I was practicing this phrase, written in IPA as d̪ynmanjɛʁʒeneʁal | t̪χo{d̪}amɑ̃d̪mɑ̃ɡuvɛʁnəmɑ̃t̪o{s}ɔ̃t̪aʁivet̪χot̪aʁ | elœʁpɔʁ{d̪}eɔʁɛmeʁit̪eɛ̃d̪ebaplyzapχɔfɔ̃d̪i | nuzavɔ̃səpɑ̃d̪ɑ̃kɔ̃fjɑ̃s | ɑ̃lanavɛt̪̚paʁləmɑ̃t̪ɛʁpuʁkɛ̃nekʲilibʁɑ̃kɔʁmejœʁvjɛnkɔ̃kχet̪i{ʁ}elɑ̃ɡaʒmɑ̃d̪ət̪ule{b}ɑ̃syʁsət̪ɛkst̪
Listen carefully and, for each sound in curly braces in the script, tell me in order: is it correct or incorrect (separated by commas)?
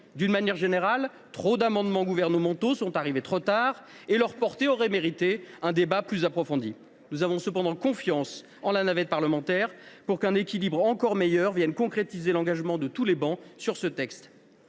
correct, correct, incorrect, incorrect, correct